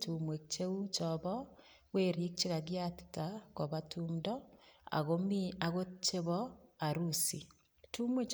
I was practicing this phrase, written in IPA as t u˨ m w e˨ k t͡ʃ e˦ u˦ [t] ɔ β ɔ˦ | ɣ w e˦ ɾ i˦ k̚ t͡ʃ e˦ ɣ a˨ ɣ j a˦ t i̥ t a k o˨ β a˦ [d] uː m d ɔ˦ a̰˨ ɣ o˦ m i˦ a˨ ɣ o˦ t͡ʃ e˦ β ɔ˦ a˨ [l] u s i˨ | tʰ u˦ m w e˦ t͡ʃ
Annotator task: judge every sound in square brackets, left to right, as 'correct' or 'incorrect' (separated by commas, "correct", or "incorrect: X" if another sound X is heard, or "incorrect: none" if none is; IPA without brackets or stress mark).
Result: incorrect: t͡ʃ, incorrect: t, incorrect: ɾ